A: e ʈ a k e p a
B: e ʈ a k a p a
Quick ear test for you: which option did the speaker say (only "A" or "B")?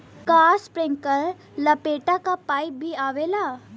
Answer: B